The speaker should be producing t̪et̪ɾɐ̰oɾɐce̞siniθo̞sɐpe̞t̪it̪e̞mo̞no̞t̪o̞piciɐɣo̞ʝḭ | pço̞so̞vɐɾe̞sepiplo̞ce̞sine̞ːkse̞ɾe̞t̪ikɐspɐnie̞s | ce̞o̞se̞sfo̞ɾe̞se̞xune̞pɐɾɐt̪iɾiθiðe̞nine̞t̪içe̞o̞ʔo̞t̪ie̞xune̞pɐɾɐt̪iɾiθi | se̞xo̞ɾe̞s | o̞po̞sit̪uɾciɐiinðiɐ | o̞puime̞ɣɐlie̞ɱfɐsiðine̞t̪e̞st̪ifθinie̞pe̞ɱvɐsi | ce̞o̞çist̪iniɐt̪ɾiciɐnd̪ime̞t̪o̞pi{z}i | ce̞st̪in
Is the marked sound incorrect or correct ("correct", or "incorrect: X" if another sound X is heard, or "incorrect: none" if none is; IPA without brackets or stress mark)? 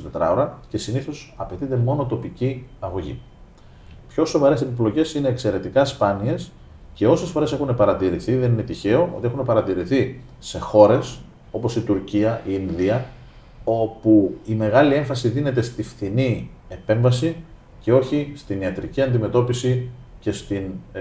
incorrect: s